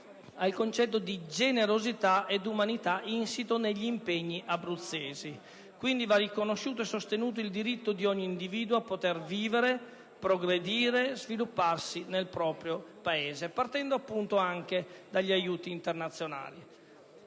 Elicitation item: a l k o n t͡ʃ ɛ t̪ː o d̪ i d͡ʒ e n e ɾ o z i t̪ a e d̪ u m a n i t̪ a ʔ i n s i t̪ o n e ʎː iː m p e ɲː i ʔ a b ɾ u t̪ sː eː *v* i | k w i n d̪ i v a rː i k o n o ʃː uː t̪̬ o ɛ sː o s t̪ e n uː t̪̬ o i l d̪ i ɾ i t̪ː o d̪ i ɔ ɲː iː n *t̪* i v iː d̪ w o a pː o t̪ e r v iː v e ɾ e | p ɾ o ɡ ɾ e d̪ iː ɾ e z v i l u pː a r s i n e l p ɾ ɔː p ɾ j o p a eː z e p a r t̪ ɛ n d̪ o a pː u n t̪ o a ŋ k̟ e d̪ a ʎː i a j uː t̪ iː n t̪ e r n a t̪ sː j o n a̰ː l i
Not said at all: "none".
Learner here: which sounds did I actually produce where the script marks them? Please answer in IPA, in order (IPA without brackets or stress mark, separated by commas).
z, d̪